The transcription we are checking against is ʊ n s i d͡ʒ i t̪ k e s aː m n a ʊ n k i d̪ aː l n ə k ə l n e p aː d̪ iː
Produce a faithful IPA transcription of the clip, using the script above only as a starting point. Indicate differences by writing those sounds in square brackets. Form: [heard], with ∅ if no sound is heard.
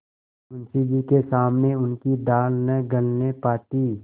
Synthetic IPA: ʊ n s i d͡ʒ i [∅] k e s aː m n [e] ʊ n k i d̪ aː l n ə [ɡ] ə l n e p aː [t̪] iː